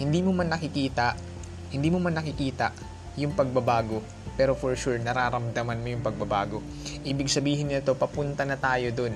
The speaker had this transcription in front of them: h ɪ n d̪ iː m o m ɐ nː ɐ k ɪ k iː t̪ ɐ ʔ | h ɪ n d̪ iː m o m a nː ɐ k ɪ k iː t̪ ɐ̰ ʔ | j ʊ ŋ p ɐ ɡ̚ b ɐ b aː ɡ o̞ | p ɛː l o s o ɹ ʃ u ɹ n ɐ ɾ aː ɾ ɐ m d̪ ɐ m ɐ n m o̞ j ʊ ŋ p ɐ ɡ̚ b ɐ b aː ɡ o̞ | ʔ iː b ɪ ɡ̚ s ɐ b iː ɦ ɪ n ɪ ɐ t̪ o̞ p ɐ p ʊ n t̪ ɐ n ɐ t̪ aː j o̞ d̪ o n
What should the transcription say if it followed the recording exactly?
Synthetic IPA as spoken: h ɪ n d̪ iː m o m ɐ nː ɐ k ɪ k iː t̪ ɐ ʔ | h ɪ n d̪ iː m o m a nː ɐ k ɪ k iː t̪ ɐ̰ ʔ | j ʊ ŋ p ɐ ɡ̚ b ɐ b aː ɡ o̞ | p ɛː ɾ o f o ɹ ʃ u ɹ n ɐ ɾ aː ɾ ɐ m d̪ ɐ m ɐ n m o̞ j ʊ ŋ p ɐ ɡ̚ b ɐ b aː ɡ o̞ | ʔ iː b ɪ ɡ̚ s ɐ b iː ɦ ɪ n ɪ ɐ t̪ o̞ p ɐ p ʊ n t̪ ɐ n ɐ t̪ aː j o̞ d̪ o n